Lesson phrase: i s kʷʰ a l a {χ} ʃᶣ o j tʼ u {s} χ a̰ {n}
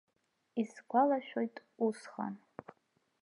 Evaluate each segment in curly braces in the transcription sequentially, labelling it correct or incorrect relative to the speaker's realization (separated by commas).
incorrect, correct, correct